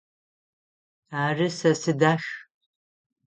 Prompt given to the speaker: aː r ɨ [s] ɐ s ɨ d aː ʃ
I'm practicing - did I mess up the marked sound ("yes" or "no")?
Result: no